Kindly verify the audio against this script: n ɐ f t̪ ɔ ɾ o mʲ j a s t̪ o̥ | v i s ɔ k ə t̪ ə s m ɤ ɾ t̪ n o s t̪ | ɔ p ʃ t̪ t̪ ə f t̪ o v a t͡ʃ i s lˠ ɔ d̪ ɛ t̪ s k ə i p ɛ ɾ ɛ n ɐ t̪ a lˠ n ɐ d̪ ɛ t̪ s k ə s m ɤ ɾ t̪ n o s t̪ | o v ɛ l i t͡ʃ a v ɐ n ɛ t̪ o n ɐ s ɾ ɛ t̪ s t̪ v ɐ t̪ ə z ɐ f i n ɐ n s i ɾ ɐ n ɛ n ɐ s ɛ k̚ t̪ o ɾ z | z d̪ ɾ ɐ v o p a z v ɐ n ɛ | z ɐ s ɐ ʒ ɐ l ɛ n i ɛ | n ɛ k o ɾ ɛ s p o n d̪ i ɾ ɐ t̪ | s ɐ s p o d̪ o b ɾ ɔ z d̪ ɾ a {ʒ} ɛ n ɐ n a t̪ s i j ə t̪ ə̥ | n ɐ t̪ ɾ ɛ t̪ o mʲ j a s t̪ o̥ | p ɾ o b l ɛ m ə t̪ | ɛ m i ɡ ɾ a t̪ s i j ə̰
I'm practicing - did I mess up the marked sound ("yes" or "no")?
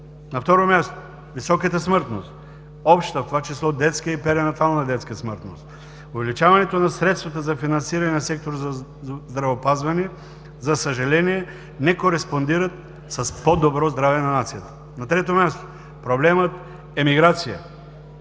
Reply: yes